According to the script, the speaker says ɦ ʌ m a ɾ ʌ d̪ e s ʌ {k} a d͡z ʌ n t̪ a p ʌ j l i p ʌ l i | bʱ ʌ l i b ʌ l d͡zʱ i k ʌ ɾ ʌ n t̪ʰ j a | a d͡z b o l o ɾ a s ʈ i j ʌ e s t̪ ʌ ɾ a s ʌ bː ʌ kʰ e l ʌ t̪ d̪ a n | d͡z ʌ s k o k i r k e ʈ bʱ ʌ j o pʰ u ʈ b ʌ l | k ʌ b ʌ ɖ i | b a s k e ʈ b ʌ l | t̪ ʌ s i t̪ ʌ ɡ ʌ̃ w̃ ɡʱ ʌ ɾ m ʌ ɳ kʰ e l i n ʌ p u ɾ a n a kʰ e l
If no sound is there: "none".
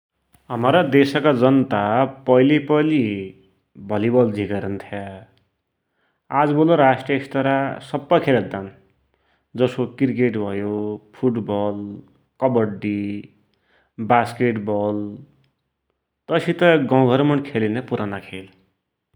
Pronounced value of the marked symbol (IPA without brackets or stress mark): k